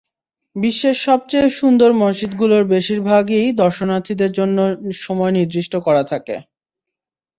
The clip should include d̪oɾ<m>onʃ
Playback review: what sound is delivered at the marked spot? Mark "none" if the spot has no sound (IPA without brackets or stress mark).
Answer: m